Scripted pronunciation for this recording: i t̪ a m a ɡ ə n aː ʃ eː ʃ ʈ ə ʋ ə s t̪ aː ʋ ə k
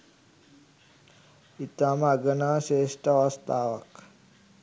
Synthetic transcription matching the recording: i t̪ a m a ɡ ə n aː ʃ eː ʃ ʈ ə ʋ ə s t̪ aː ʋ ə k